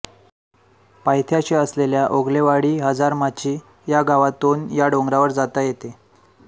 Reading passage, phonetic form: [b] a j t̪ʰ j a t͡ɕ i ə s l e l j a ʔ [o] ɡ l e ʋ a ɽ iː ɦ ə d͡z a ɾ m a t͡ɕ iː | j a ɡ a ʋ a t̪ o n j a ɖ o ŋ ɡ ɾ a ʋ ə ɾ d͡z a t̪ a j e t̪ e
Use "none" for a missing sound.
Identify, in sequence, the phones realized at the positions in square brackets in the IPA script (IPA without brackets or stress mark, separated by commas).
p, o